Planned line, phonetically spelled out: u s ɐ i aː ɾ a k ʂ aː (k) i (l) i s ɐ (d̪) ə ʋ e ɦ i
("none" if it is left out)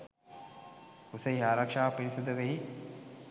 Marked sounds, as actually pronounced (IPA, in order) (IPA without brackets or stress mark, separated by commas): p, ɾ, d̪